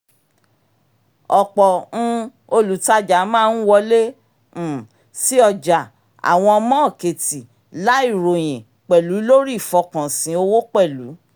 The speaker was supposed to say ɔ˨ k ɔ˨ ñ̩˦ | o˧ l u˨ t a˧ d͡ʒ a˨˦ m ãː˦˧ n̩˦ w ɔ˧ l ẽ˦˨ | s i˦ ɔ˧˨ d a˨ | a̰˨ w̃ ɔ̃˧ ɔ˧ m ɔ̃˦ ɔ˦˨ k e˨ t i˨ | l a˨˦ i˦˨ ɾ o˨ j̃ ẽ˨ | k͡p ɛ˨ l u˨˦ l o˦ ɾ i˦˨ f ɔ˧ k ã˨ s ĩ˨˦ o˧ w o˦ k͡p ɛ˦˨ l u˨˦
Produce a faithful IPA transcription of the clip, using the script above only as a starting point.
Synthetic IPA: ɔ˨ k͡p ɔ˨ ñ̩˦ | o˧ l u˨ t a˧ d͡ʒ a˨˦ m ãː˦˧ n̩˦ w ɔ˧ l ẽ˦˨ | s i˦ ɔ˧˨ d͡ʒ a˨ | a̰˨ w̃ ɔ̃˧ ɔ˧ m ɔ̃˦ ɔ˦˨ k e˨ t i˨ | l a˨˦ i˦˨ ɾ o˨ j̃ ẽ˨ | k͡p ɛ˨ l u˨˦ l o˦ ɾ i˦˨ f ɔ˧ k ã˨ s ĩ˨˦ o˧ w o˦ k͡p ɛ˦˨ l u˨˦